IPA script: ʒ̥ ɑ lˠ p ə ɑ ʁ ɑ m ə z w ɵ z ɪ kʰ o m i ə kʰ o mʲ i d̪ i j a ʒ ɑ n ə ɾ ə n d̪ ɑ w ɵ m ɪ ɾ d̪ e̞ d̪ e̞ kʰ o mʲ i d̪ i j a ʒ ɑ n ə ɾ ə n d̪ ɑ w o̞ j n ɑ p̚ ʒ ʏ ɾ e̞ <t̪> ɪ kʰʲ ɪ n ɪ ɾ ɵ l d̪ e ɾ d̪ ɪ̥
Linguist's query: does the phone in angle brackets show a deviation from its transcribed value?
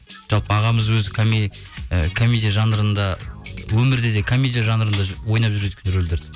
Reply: yes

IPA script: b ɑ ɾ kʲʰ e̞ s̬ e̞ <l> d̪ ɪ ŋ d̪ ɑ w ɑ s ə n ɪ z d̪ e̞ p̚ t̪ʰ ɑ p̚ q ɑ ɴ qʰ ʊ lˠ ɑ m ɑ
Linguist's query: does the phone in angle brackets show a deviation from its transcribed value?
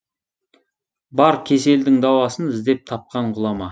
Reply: no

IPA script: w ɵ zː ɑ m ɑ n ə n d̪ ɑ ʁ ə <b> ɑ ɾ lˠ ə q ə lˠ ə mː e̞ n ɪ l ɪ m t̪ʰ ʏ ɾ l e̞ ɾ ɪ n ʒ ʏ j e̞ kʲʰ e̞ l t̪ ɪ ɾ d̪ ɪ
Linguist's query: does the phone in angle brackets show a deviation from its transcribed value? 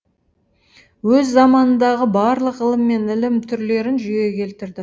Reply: no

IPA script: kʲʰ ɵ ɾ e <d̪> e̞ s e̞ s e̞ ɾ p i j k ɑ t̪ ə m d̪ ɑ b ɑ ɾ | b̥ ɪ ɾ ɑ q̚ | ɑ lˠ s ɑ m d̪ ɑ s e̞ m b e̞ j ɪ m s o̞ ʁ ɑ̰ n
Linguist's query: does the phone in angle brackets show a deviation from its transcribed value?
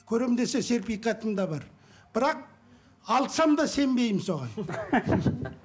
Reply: no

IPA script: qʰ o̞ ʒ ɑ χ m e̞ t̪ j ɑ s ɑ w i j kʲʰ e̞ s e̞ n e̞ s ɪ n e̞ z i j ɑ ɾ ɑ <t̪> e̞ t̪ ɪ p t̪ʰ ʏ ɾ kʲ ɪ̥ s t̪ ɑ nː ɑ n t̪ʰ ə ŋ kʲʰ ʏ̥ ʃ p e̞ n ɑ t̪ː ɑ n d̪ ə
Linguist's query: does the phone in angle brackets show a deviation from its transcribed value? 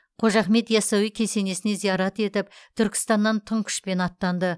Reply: no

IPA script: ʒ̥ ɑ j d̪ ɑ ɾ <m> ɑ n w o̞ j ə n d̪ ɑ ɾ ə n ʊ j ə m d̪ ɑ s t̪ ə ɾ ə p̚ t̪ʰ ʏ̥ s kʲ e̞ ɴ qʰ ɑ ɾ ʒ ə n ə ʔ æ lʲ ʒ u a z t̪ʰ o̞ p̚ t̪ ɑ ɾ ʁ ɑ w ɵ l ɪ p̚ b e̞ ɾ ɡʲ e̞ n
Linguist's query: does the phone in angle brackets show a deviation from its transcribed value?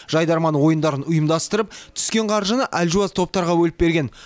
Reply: no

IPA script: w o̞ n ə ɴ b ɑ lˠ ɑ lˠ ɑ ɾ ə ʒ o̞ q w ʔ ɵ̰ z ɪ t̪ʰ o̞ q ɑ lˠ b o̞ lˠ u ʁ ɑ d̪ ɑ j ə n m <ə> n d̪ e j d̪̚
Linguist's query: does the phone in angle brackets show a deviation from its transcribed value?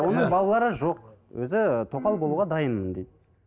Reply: no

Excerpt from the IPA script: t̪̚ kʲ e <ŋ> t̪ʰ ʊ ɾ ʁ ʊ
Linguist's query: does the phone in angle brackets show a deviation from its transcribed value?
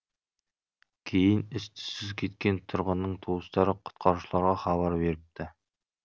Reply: yes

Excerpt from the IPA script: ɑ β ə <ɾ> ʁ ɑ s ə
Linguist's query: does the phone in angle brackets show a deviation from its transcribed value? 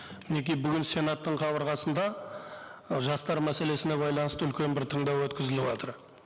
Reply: no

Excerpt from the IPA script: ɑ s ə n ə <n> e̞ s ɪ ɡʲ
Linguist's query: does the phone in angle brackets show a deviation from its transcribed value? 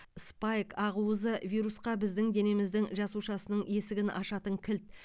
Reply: yes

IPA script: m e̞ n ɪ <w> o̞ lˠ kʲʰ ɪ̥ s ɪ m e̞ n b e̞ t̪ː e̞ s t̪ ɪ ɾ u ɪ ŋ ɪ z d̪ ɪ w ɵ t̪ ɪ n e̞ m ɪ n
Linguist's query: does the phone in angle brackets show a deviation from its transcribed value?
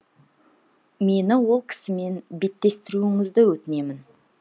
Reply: no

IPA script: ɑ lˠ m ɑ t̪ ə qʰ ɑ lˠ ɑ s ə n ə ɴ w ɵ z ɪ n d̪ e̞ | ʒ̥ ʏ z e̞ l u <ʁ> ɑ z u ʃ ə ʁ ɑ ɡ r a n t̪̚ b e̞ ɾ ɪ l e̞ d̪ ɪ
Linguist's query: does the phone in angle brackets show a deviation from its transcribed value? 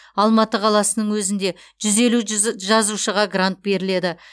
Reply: yes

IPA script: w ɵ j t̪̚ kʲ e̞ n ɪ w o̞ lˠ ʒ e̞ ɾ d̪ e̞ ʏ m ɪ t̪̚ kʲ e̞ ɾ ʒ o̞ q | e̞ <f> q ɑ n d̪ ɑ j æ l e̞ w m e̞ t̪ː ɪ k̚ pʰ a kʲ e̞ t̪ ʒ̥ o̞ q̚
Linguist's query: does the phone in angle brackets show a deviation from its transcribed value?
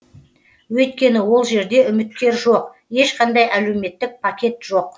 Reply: yes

